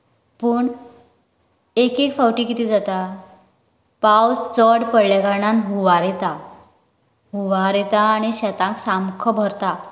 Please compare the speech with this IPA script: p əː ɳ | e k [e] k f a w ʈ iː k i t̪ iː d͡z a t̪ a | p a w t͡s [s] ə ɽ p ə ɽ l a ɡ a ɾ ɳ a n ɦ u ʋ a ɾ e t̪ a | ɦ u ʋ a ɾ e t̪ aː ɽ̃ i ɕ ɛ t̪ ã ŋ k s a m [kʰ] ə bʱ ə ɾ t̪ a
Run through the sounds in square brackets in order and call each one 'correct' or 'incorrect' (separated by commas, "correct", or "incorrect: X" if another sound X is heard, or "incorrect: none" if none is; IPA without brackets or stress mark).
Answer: correct, incorrect: t͡s, correct